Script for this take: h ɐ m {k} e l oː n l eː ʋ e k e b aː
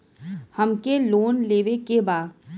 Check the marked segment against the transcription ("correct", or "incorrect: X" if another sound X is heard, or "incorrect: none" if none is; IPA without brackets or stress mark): correct